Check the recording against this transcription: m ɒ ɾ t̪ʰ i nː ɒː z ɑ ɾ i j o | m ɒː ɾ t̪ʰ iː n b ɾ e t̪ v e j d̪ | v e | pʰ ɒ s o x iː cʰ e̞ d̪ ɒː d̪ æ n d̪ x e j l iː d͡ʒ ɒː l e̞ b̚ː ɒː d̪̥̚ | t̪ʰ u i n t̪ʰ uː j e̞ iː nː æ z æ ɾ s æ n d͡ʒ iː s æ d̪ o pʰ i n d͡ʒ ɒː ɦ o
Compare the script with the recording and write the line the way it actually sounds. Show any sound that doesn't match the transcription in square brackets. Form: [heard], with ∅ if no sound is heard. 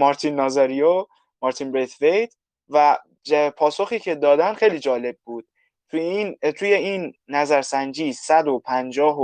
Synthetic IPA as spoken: m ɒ ɾ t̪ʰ i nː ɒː z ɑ ɾ i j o | m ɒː ɾ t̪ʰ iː n b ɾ e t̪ v e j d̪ | v [æ] | pʰ [ɒː] s o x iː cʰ e̞ d̪ ɒː d̪ æ n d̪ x e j l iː d͡ʒ ɒː l e̞ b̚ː [uː] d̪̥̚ | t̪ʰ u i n t̪ʰ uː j e̞ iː nː æ z æ ɾ s æ n d͡ʒ iː s æ d̪ o pʰ [æ] n d͡ʒ ɒː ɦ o